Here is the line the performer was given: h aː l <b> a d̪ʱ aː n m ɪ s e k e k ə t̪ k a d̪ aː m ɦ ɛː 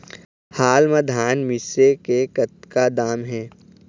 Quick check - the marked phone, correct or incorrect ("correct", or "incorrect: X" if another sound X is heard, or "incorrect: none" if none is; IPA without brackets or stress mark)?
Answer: incorrect: m